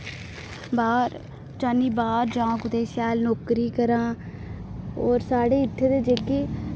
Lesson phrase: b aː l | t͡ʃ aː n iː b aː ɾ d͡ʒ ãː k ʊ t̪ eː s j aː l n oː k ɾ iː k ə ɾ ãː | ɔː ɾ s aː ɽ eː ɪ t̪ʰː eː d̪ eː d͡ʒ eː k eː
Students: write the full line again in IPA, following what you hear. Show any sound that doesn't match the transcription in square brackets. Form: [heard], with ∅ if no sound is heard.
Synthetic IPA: b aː [ɾ] | t͡ʃ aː n iː b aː ɾ d͡ʒ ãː k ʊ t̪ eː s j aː l n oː k ɾ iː k ə ɾ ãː | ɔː ɾ s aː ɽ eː ɪ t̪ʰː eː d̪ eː d͡ʒ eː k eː